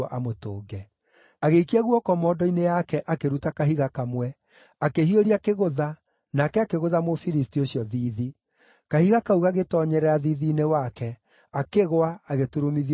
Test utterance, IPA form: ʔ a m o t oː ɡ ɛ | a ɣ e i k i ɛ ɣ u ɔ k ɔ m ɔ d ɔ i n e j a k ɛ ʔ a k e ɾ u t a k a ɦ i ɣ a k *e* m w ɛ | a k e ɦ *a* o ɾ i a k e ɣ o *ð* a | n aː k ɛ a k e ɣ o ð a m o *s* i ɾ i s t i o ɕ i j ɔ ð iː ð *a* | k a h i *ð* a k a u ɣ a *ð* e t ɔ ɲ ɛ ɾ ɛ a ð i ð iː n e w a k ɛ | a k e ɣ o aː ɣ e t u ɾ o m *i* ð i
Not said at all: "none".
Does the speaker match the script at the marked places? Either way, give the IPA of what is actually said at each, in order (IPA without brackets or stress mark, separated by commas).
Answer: a, i, ð, f, i, ɣ, ɣ, i